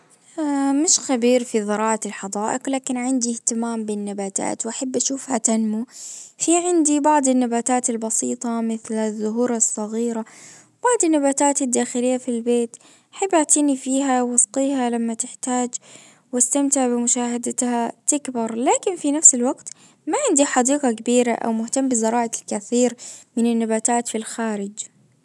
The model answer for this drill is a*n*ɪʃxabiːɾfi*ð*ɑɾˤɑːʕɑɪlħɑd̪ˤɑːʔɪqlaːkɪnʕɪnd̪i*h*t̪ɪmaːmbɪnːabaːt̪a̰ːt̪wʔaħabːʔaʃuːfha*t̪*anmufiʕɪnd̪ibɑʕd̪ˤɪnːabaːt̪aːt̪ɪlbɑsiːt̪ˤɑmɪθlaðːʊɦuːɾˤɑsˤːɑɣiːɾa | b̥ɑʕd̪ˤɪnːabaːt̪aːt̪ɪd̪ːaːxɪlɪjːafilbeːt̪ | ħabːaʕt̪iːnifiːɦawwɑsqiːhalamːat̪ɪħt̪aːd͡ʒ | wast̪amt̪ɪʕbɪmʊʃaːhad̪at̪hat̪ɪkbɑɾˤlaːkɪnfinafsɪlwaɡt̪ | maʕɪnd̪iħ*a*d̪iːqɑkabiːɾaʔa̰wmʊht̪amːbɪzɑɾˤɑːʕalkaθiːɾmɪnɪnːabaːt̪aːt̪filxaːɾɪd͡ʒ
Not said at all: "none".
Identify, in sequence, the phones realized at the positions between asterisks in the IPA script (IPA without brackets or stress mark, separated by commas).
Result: m, ð, h, t̪, ɑ